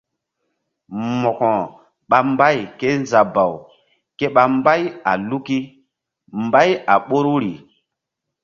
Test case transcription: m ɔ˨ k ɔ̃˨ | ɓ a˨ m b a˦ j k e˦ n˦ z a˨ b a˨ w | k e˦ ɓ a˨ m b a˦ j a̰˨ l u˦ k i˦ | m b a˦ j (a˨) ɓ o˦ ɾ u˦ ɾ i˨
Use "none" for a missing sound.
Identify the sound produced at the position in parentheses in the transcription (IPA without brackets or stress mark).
a˨